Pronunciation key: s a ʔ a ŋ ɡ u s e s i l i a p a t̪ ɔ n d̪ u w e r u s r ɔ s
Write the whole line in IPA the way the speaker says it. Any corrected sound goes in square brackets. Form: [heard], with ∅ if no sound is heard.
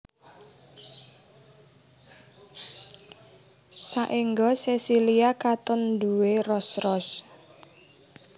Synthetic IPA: s a ʔ [i] ŋ ɡ [ɔ] s e s i l i a [k] a t̪ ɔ n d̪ u w e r [ɔ] s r ɔ s